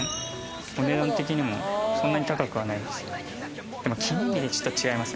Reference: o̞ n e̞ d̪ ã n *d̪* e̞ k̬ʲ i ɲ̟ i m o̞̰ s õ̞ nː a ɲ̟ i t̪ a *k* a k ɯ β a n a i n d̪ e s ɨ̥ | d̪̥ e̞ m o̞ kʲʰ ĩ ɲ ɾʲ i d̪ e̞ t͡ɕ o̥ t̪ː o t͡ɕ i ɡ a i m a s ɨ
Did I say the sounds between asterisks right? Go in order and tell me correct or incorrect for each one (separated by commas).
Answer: incorrect, correct